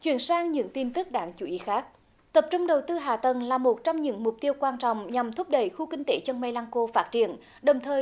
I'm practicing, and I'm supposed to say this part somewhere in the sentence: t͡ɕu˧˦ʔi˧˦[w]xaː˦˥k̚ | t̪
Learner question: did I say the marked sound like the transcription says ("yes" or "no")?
no